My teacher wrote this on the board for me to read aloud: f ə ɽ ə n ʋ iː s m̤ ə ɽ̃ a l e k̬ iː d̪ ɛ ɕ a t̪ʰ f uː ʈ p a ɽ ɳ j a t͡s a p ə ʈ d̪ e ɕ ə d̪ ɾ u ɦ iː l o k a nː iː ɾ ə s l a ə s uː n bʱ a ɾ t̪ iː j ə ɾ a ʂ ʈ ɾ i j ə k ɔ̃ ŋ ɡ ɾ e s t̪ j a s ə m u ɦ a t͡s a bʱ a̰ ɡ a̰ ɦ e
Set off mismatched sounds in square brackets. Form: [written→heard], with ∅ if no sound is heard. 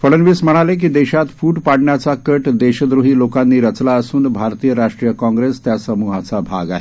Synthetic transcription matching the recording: f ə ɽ ə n ʋ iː s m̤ ə ɽ̃ a l e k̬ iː d̪ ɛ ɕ a [t̪ʰ→t̪] f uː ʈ p a ɽ ɳ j a t͡s a [p→k] ə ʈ d̪ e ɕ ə d̪ ɾ u ɦ iː l o k a nː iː ɾ ə [s→t͡s] l a ə s uː n bʱ a ɾ t̪ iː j ə ɾ a ʂ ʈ ɾ i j ə k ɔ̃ ŋ ɡ ɾ e s t̪ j a s ə m u ɦ a t͡s a bʱ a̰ ɡ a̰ ɦ e